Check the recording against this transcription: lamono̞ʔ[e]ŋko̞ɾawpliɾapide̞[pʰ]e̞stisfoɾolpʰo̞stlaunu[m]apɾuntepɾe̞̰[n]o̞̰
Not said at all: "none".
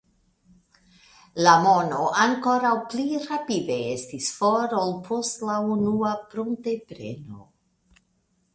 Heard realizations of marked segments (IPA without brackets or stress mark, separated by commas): a, none, none, n